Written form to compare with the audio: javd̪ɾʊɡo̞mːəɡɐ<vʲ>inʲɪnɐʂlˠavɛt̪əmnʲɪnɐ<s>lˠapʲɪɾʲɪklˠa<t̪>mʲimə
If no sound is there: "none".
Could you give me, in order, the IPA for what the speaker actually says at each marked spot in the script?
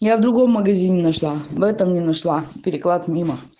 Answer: zʲ, ʂ, t̪

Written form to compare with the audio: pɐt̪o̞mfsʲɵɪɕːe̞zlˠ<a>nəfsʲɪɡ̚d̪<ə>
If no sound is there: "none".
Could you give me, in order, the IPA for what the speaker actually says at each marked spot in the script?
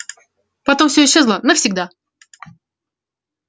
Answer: ə, a

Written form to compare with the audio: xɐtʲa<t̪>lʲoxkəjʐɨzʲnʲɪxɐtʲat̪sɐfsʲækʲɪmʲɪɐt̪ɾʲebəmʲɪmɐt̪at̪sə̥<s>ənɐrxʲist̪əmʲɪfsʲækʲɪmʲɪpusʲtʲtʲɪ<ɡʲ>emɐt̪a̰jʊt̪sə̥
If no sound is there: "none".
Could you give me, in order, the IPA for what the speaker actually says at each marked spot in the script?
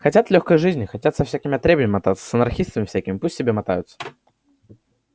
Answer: t̪, s, bʲ

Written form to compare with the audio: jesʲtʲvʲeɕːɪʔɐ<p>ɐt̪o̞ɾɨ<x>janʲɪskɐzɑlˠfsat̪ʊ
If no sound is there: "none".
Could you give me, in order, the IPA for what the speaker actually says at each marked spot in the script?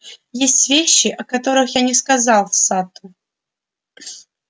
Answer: k, x

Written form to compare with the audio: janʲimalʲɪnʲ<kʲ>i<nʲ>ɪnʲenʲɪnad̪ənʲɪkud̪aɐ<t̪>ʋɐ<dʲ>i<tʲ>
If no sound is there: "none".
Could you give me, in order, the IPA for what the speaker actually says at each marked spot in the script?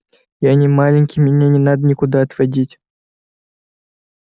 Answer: kʲ, mʲ, t̪, dʲ, tʲ

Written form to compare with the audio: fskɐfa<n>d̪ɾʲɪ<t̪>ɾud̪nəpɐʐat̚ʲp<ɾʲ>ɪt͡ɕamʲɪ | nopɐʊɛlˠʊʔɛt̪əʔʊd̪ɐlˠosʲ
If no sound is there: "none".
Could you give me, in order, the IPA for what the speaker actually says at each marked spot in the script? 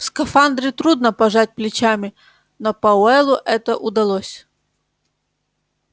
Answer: n, t̪, lʲ

